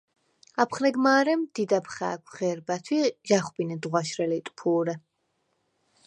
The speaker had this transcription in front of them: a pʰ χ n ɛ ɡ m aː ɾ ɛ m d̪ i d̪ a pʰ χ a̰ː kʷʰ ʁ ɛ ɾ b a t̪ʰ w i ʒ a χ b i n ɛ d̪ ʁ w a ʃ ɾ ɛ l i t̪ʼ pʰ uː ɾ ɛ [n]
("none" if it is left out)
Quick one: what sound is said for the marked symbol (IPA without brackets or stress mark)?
none